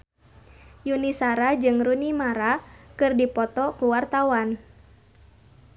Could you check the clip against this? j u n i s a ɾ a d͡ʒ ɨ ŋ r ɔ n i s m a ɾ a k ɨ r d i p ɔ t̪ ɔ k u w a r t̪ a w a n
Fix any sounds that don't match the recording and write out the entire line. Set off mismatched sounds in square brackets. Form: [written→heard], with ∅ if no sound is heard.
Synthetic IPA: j u n i s a ɾ a d͡ʒ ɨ ŋ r [ɔ→u] n i [s→∅] m a ɾ a k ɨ r d i p ɔ t̪ ɔ k u w a r t̪ a w a n

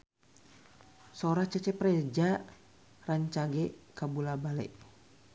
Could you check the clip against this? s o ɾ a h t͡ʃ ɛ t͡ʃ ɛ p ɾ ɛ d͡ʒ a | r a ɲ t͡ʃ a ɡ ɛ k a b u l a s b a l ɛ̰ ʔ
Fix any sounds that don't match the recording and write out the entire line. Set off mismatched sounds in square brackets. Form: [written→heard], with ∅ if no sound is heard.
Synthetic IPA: s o ɾ a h t͡ʃ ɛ t͡ʃ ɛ p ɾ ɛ d͡ʒ a | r a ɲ t͡ʃ a ɡ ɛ k a b u l a [s→∅] b a l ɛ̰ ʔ

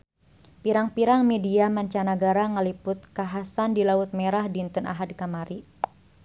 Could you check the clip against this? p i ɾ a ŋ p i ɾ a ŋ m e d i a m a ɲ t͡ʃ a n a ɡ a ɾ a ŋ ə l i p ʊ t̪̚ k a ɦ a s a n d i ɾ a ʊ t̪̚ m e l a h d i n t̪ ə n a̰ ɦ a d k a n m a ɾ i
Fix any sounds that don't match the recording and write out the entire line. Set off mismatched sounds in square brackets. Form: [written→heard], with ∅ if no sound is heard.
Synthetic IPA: p i ɾ a ŋ p i ɾ a ŋ m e d i a m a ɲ t͡ʃ a n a ɡ a ɾ a ŋ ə l i p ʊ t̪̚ k a ɦ a s a n d i [ɾ→l] a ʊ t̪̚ m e [l→ɾ] a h d i n t̪ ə n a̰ ɦ a d k a [n→∅] m a ɾ i

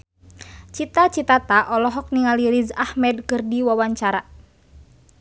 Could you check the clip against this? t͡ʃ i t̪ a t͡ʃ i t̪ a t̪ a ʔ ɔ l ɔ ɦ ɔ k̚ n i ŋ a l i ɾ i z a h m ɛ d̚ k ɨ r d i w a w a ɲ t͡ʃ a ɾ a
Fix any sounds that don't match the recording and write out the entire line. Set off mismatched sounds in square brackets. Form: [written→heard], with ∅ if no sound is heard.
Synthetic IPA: t͡ʃ i t̪ a t͡ʃ i t̪ a t̪ a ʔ ɔ l ɔ ɦ ɔ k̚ n i ŋ a l i ɾ i z a h m ɛ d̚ k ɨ r d i w a w a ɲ t͡ʃ a ɾ a

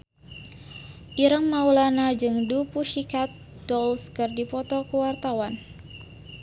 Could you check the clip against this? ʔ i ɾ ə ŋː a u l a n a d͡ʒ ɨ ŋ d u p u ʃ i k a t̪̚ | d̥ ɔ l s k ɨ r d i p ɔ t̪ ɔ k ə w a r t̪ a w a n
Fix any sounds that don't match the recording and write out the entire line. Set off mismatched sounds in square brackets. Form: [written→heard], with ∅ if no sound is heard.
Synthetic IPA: ʔ i ɾ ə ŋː a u l a n a d͡ʒ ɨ ŋ d u p u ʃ i k a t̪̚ | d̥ ɔ l s k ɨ r d i p ɔ t̪ ɔ k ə w a r t̪ a w a n

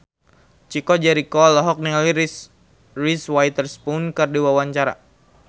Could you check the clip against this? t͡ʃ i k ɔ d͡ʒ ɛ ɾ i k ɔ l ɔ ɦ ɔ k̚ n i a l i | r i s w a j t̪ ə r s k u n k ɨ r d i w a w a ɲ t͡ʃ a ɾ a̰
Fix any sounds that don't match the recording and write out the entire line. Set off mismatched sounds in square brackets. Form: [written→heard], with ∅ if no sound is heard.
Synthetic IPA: t͡ʃ i k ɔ d͡ʒ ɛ ɾ i k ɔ l ɔ ɦ ɔ k̚ n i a l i | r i s w a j t̪ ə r s [k→p] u n k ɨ r d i w a w a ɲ t͡ʃ a ɾ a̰

